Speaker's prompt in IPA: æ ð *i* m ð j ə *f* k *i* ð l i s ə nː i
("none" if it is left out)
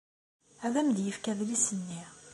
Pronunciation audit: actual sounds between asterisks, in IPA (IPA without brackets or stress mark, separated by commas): æ, f, æ